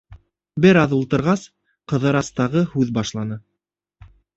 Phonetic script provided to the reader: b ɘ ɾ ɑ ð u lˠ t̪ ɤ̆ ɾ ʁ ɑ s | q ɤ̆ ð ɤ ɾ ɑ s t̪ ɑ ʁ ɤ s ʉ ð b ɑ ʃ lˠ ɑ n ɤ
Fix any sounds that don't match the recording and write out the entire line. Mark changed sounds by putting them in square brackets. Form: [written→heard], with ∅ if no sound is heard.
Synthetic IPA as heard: b ɘ ɾ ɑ ð u lˠ t̪ ɤ̆ ɾ ʁ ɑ s | q ɤ̆ ð ɤ ɾ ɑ s t̪ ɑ ʁ ɤ [s→h] ʉ ð b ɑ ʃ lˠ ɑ n ɤ